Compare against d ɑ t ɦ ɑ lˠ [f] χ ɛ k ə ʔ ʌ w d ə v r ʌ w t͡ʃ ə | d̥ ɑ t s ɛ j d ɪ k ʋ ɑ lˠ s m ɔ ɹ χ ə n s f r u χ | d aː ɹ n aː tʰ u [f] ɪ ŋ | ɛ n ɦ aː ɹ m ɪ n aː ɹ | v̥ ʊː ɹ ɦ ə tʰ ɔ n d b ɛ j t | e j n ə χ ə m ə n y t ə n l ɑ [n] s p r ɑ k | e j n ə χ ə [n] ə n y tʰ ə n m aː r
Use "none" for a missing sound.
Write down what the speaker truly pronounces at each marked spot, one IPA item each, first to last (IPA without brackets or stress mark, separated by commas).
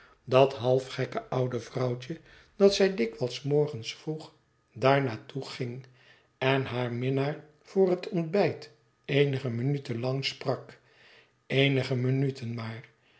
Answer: f, χ, ŋ, m